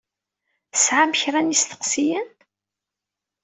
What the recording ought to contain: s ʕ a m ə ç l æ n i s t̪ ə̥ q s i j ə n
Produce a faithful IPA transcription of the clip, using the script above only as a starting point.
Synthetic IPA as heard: s ʕ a m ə ç ɾ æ n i s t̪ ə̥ q s i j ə n